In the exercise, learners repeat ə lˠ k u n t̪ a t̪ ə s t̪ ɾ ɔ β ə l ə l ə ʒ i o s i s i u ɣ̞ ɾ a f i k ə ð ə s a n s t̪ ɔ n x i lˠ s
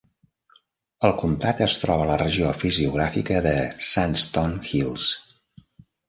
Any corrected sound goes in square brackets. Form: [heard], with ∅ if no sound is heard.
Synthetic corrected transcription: ə lˠ k u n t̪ a t̪ ə s t̪ ɾ ɔ β ə l ə [r] ə ʒ i o [f] i [z] i u ɣ̞ ɾ a f i k ə ð ə s a n s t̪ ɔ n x i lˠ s